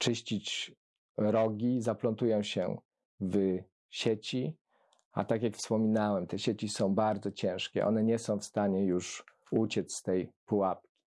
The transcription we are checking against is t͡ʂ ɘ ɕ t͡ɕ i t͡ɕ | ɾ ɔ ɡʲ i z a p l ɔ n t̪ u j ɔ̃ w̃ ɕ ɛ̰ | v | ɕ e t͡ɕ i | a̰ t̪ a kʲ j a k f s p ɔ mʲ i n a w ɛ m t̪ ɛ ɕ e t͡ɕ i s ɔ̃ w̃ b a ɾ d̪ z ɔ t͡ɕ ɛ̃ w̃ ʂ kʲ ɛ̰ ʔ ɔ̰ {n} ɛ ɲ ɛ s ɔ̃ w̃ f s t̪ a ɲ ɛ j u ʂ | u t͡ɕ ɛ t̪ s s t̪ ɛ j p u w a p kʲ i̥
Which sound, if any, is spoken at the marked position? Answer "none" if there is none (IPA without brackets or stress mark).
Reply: n